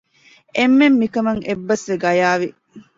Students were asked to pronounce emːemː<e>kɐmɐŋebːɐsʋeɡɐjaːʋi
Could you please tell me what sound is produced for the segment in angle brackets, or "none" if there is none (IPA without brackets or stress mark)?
i